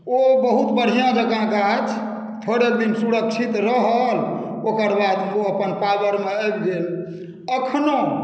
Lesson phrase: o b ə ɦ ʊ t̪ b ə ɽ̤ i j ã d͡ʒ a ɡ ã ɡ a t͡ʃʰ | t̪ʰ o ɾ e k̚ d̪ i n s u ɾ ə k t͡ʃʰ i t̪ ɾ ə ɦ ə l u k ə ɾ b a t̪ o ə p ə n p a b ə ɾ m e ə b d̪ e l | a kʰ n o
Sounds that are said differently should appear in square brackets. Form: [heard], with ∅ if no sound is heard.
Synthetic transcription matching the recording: o b ə ɦ [u] t̪ b ə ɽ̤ i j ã d͡ʒ [ə] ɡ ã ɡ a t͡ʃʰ | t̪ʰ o ɾ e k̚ d̪ i n s u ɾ ə k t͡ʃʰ i t̪ ɾ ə ɦ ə l [o] k ə ɾ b a [d̪] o ə p ə n p a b ə ɾ m e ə b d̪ e l | [ə] kʰ n o

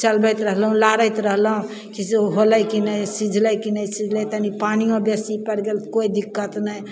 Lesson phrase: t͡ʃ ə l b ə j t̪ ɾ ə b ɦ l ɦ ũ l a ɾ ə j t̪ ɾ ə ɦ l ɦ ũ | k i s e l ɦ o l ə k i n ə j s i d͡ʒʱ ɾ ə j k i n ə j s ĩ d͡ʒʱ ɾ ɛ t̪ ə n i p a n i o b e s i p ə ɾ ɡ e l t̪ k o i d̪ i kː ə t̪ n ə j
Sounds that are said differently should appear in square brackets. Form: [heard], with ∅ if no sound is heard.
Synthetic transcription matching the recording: t͡ʃ ə l b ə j t̪ ɾ ə [∅] ɦ l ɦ ũ l a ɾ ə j t̪ ɾ ə ɦ l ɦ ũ | k i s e [∅] ɦ o l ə k i n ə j s i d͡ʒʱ [l] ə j k i n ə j s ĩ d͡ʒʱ [l] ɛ t̪ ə n i p a n i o b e s i p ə ɾ ɡ e l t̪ k o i d̪ i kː ə t̪ n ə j

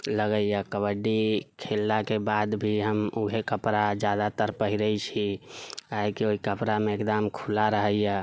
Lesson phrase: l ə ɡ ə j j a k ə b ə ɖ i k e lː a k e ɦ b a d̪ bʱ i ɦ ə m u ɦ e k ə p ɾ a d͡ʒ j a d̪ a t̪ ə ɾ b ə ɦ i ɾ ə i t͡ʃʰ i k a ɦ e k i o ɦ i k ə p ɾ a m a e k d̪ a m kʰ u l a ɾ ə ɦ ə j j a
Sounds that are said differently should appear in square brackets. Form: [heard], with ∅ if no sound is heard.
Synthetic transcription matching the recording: l ə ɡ ə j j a k ə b ə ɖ i [kʰ] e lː a k e [∅] b a d̪ bʱ i ɦ ə m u ɦ e k ə p ɾ a d͡ʒ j a d̪ a t̪ ə ɾ [p] ə ɦ i ɾ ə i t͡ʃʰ i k a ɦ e k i o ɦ i k ə p ɾ a m [e] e k d̪ a m kʰ u l a ɾ ə ɦ ə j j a

